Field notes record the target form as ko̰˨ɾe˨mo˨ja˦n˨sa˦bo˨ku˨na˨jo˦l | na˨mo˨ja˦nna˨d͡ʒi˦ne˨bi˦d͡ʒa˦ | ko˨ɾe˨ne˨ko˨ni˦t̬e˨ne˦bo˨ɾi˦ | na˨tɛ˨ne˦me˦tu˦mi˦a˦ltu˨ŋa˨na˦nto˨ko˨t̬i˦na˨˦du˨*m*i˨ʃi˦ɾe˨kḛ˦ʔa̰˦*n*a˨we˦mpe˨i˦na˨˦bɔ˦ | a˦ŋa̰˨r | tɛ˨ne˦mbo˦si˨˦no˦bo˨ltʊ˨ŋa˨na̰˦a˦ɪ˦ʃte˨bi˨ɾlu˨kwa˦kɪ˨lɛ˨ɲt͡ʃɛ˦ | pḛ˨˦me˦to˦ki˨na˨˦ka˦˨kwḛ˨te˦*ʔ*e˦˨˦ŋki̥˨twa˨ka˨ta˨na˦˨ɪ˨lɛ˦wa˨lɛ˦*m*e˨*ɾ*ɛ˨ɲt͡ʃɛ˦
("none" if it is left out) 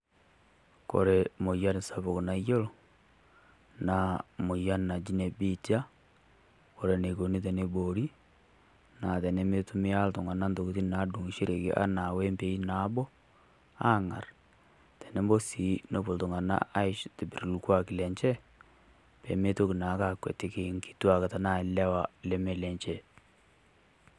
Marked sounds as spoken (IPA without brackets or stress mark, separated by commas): ŋ, n, k, m, l